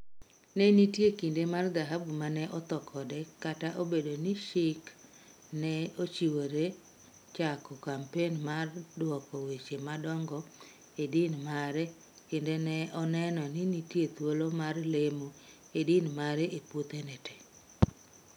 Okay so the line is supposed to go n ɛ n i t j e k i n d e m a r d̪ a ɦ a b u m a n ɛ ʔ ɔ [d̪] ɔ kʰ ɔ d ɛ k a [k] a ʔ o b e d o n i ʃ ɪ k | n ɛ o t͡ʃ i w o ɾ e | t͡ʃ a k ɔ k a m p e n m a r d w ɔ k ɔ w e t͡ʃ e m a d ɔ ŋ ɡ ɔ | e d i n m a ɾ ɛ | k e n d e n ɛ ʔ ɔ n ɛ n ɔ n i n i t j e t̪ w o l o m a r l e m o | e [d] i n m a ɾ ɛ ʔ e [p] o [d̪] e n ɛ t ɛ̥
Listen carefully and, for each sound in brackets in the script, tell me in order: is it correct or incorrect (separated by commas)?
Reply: incorrect, incorrect, correct, correct, incorrect